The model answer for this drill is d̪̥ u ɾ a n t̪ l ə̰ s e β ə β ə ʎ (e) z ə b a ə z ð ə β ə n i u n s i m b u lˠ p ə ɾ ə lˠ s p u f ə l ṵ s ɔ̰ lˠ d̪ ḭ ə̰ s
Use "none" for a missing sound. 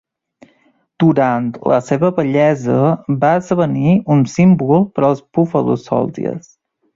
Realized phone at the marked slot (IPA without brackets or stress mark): ɛ